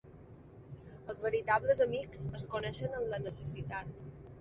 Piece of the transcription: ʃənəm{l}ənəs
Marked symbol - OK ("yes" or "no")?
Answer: yes